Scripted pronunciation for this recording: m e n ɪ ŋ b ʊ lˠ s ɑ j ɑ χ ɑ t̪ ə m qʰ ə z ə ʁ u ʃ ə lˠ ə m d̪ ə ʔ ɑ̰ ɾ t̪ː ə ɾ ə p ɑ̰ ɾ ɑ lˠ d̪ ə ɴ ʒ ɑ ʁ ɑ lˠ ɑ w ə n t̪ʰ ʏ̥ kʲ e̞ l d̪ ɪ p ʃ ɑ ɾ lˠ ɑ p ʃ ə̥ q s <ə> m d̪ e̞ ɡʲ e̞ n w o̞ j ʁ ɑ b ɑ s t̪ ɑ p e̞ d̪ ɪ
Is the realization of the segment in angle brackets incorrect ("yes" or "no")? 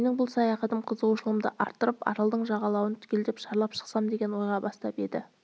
yes